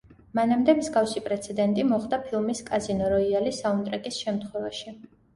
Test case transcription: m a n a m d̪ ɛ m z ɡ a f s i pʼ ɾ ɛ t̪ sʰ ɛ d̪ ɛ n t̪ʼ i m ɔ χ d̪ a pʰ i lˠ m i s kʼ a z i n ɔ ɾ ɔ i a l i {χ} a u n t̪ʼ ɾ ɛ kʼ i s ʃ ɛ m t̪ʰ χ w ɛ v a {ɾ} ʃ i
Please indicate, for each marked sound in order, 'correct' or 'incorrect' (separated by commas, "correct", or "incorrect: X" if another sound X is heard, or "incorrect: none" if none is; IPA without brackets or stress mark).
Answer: incorrect: s, incorrect: none